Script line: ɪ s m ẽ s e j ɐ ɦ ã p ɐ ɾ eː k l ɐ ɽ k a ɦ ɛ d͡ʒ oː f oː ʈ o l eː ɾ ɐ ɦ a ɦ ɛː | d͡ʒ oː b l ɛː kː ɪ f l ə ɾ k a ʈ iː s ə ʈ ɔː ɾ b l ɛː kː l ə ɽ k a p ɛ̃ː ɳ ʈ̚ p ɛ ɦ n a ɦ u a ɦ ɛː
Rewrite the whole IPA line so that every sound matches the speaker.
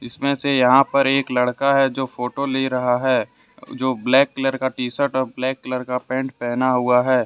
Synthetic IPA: ɪ s m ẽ s e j ɐ ɦ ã p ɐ ɾ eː k l ɐ ɽ k a ɦ ɛ d͡ʒ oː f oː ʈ o l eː ɾ ɐ ɦ a ɦ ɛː | d͡ʒ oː b l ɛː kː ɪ l ə ɾ k a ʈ iː s ə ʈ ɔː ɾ b l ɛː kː l ə ɾ k a p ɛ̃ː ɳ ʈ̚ p ɛ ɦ n a ɦ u a ɦ ɛː